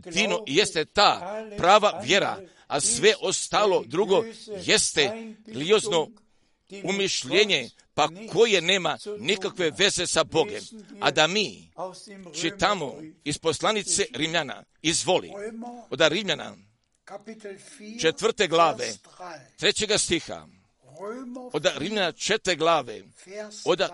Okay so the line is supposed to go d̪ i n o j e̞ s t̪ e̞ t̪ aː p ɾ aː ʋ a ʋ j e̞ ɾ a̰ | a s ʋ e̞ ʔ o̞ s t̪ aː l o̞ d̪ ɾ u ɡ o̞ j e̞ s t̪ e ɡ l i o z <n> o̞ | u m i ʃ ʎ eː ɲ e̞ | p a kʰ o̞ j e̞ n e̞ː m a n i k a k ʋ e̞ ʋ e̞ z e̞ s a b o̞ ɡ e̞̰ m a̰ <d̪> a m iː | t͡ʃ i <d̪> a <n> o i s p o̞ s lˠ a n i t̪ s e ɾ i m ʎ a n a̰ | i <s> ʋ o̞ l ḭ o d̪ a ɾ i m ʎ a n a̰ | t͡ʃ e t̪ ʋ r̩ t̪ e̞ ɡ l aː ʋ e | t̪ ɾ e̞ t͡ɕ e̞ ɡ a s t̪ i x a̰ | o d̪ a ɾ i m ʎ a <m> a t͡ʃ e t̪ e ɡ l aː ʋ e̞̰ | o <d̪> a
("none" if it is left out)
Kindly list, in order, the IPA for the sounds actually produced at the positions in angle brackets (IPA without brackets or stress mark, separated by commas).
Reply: n, d̪, t̪, m, z, n, d̪